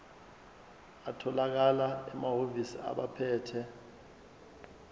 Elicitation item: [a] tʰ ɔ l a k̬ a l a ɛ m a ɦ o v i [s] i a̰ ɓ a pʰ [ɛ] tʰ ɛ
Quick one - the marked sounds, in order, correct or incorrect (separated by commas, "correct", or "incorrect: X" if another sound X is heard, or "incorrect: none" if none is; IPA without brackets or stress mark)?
correct, correct, incorrect: ɛː